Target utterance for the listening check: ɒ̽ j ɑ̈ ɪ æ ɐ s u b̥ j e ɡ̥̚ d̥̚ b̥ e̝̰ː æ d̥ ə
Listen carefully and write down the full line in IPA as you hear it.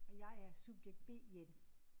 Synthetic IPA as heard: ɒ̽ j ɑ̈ ɪ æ ɐ s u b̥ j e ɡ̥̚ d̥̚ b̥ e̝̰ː e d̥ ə